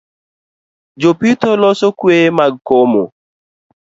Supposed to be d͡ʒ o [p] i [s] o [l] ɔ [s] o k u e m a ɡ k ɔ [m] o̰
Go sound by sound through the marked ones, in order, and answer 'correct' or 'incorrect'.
correct, incorrect, correct, correct, correct

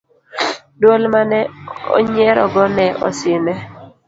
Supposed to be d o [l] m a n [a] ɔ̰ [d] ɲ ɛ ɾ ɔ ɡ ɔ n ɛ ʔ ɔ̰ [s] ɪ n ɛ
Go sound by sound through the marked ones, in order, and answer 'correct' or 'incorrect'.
correct, incorrect, incorrect, correct

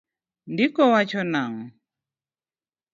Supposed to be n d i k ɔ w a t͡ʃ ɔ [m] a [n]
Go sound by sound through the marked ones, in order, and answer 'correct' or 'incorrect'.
incorrect, incorrect

